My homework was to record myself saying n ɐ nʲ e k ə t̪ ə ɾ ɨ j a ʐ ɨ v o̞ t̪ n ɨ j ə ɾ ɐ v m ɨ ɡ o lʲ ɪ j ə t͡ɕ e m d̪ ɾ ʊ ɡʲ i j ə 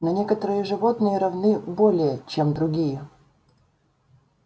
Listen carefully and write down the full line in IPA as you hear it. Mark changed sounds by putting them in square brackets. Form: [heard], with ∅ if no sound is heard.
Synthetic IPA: n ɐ nʲ e k ə t̪ ə ɾ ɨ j [ə] ʐ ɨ v o̞ t̪ n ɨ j ə ɾ ɐ v [n] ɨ [b] o lʲ ɪ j ə t͡ɕ e m d̪ ɾ ʊ ɡʲ i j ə